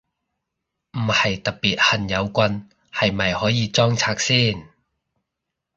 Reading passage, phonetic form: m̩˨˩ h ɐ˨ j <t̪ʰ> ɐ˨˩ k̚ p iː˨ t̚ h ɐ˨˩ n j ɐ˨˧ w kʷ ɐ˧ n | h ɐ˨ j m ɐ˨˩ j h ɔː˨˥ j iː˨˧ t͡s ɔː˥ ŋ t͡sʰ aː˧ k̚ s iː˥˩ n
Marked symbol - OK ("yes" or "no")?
no